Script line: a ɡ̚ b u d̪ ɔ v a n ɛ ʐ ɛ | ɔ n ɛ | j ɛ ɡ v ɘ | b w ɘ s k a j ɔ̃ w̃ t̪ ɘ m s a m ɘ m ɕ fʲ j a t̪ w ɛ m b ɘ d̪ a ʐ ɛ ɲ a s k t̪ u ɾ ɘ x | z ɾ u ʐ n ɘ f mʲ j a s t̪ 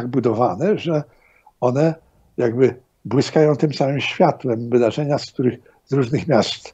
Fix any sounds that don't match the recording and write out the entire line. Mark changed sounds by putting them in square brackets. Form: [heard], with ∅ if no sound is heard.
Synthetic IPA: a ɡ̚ b u d̪ ɔ v a n ɛ ʐ ɛ | ɔ n ɛ | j [a] ɡ [b] ɘ | b w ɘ s k a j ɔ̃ w̃ t̪ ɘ m s a m ɘ m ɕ fʲ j a t̪ w ɛ m [v] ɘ d̪ a ʐ ɛ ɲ a s k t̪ u ɾ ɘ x | z ɾ u ʐ n ɘ [x] mʲ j a s t̪